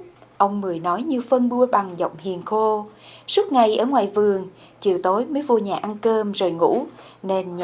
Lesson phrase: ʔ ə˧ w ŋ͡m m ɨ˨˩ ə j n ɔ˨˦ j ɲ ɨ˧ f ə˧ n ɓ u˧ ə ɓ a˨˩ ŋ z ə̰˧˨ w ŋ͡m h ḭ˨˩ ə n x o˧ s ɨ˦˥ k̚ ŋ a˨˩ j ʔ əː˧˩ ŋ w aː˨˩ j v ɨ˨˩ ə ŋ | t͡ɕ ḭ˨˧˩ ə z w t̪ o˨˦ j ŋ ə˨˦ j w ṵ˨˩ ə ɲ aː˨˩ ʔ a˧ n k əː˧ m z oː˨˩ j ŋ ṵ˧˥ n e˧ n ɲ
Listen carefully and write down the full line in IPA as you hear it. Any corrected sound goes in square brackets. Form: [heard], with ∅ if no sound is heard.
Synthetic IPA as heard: ʔ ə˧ w ŋ͡m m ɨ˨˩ ə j n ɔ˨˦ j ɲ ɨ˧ f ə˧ n ɓ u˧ ə ɓ a˨˩ ŋ z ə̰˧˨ w ŋ͡m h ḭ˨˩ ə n x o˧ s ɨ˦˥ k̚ ŋ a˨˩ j ʔ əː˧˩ ŋ w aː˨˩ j v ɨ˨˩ ə ŋ | t͡ɕ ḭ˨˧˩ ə [∅] w t̪ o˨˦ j [m] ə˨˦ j [v] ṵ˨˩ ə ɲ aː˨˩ ʔ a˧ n k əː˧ m z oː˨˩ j ŋ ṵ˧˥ n e˧ n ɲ